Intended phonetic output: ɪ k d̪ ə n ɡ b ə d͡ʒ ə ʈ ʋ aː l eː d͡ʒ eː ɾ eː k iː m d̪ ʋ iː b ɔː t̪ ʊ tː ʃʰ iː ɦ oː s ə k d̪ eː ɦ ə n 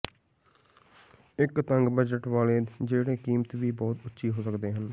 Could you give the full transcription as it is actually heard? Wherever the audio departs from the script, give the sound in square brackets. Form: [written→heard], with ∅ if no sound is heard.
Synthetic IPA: ɪ k [d̪→t̪] ə [n→ŋ] ɡ b ə d͡ʒ ə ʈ ʋ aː l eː d͡ʒ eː [ɾ→ɽ] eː k iː m [d̪→t̪] ʋ iː b ɔː t̪ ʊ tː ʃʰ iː ɦ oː s ə k d̪ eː ɦ ə n